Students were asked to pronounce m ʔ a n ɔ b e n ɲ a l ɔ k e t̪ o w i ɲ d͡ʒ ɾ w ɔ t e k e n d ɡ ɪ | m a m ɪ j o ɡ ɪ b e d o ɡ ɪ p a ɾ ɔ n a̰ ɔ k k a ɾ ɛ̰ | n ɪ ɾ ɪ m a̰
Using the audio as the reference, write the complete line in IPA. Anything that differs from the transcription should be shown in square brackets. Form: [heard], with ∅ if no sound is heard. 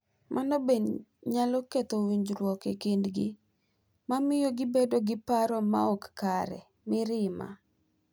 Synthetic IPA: m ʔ a n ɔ b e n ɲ a l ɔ k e t̪ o w i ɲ d͡ʒ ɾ w ɔ [k] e k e n d ɡ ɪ | m a m ɪ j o ɡ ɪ b e d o ɡ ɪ p a ɾ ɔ [m] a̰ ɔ k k a ɾ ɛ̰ | [m] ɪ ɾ ɪ m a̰